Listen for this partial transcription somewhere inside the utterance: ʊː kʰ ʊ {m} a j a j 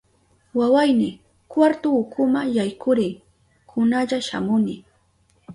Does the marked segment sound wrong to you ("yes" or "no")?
no